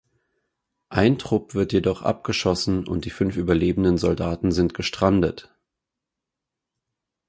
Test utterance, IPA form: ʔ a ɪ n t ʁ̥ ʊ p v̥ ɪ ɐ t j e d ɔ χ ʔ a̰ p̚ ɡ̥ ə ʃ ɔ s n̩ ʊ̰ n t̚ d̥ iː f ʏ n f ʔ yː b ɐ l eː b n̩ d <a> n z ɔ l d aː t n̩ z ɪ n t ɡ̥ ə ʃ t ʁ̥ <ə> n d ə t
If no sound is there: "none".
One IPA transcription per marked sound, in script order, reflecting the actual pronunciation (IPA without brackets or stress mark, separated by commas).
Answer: ə, a